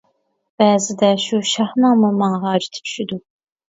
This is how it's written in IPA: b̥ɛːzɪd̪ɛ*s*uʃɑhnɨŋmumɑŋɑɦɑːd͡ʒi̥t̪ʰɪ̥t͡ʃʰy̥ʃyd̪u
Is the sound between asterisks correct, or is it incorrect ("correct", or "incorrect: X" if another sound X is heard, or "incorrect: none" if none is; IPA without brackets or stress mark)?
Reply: incorrect: ʃ